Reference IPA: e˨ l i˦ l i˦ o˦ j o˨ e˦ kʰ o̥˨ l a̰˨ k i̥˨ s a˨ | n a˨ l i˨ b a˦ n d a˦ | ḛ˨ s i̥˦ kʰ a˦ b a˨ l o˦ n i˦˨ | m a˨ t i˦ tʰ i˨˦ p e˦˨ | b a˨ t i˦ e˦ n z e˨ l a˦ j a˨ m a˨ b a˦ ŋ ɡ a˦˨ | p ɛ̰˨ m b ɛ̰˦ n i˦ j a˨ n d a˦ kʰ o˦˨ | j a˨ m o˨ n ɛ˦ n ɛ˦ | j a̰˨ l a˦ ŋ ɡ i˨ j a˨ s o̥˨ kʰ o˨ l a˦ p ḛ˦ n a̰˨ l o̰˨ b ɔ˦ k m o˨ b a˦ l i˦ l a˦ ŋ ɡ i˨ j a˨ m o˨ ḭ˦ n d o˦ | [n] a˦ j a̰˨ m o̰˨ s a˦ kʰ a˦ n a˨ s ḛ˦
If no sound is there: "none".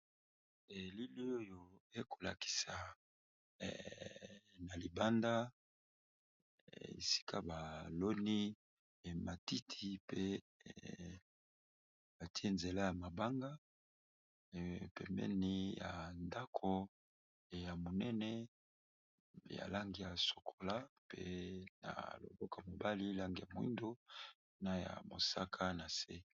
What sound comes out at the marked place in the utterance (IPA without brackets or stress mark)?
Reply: n